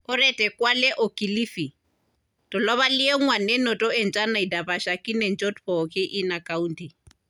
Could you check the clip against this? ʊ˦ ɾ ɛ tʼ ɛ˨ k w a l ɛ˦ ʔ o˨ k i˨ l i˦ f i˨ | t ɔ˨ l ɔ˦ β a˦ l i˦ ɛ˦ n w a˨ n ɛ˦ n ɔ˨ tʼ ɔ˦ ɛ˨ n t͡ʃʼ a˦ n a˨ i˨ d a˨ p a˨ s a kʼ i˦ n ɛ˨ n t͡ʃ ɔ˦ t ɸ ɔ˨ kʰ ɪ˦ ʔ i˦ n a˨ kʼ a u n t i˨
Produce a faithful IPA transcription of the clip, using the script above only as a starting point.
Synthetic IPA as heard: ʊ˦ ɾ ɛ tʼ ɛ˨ k w a l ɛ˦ ʔ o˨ k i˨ l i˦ f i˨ | t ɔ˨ l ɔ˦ β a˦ l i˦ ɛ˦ ŋ w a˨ n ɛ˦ n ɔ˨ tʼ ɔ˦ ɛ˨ n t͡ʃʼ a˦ n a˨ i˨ d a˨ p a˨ ʃ a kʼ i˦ n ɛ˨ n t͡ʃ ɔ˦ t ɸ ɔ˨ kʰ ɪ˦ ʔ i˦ n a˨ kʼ a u n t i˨